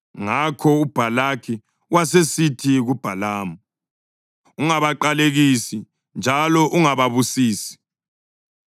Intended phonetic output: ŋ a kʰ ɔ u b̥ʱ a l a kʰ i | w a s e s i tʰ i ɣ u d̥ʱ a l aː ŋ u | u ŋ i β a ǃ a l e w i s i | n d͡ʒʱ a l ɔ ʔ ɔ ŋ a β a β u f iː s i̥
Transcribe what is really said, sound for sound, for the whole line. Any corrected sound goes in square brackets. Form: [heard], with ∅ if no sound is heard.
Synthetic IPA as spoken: ŋ a kʰ ɔ u b̥ʱ a l a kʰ i | w a s e s i tʰ i ɣ u [b̥ʱ] a l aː [m] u | u ŋ [a] β a ǃ a l e [ɣ] i s i | n d͡ʒʱ a l ɔ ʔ [u] ŋ a β a β u [s] iː s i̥